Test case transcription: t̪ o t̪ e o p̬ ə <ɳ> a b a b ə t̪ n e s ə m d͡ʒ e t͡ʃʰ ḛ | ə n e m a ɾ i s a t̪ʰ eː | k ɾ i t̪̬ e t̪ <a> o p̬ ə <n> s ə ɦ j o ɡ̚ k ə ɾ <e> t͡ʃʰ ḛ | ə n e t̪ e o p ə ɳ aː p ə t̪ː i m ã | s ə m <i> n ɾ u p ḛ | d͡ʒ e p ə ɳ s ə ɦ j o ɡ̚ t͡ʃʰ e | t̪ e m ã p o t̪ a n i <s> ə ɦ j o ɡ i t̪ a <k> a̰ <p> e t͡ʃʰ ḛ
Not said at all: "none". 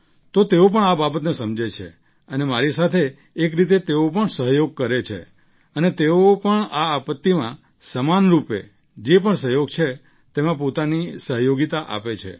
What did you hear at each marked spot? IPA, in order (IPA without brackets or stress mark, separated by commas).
ɳ, e, ɳ, e, a, s, ʔ, p